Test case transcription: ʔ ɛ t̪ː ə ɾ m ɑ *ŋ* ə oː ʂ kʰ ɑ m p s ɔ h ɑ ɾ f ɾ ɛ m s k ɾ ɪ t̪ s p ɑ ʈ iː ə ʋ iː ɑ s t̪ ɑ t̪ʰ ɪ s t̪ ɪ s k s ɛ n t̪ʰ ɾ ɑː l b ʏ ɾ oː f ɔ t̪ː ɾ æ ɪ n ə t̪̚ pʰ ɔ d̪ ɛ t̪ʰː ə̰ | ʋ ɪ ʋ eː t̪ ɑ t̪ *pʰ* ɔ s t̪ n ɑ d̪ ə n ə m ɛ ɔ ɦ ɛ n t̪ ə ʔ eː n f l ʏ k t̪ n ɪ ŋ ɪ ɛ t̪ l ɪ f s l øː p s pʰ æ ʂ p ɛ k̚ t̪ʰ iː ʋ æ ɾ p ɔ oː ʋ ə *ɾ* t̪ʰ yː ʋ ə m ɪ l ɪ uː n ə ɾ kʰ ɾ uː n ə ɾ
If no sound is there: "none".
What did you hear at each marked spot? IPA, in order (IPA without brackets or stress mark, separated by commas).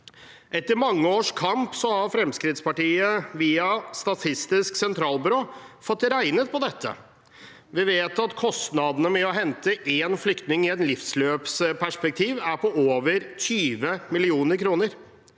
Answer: ŋː, kʰ, ɾ